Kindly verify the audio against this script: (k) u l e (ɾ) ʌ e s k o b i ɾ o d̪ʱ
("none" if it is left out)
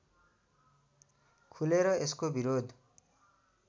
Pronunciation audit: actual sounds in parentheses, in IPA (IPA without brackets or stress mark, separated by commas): kʰ, ɾ